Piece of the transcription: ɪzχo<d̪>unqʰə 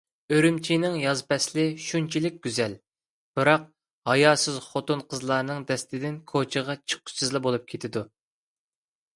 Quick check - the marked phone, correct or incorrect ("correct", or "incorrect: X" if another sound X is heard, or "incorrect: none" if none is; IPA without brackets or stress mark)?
incorrect: t̪